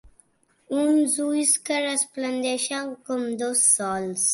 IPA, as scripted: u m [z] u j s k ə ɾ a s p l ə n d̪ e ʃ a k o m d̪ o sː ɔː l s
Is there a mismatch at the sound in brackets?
no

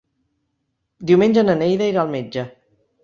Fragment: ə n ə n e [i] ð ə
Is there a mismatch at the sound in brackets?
yes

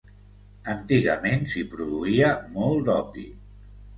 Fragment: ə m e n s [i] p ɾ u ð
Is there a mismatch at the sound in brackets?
no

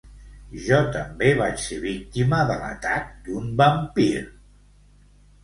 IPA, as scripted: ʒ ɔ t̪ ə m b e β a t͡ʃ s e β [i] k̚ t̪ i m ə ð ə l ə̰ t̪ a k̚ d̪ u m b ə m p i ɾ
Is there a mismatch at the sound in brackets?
no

